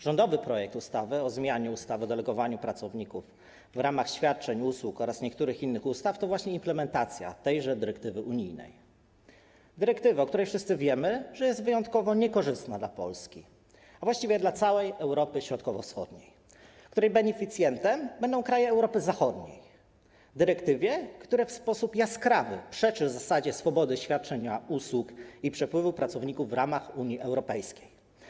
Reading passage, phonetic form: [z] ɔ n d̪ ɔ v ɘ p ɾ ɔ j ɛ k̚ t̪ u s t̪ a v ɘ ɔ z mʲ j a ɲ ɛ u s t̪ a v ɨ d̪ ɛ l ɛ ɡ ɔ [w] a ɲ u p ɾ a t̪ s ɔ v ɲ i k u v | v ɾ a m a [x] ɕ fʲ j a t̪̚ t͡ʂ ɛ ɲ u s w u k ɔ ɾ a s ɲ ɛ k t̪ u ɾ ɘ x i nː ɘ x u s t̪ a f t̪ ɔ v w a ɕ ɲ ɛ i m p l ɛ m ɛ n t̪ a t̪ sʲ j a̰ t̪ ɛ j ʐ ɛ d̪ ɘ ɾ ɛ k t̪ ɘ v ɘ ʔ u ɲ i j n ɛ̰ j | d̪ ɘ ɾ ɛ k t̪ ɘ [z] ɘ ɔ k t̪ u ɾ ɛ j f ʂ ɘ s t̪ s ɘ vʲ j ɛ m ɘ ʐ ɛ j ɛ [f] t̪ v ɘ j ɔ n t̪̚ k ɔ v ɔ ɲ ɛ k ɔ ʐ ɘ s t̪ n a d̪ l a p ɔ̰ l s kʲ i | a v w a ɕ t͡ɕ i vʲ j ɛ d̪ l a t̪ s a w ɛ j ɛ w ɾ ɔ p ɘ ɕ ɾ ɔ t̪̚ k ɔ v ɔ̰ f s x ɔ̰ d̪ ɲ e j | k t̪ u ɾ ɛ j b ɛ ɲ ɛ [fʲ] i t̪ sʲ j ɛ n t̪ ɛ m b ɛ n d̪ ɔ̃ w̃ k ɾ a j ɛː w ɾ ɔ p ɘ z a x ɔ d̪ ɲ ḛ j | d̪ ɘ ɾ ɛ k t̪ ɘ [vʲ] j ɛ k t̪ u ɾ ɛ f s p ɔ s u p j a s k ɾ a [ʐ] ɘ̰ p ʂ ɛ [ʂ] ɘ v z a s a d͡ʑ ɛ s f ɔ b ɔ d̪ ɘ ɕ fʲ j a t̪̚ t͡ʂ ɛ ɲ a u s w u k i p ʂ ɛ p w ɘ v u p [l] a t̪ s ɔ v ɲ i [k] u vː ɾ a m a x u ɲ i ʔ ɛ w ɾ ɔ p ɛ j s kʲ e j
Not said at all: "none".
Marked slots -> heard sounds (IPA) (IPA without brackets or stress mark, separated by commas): ʐ, v, x, v, s, fʲ, vʲ, v, t͡ʂ, ɾ, k